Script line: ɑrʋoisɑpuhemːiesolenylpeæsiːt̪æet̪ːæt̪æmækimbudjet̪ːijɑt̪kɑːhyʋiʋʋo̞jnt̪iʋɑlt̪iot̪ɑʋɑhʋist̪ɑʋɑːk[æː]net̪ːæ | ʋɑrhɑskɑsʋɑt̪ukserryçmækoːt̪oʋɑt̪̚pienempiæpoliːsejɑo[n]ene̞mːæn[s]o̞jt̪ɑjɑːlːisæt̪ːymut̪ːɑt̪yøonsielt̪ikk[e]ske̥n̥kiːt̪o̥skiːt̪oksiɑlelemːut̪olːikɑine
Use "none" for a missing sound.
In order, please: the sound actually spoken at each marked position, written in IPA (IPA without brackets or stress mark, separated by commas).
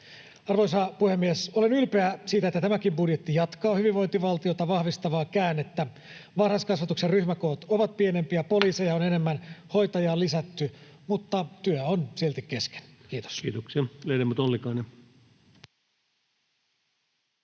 æː, n, h, e